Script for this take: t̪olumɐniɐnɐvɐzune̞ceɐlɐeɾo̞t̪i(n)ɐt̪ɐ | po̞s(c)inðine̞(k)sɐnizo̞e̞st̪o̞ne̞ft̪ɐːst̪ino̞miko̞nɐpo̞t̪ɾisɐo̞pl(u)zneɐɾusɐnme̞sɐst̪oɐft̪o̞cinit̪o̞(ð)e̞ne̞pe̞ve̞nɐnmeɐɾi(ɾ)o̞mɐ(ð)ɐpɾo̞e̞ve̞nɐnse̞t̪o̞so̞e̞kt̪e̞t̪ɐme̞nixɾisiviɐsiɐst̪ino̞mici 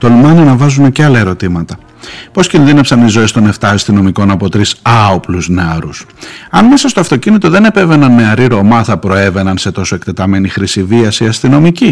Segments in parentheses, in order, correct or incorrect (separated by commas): incorrect, correct, incorrect, correct, correct, correct, incorrect